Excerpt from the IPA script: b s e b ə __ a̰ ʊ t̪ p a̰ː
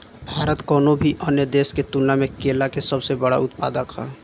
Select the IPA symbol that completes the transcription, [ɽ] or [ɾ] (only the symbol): ɽ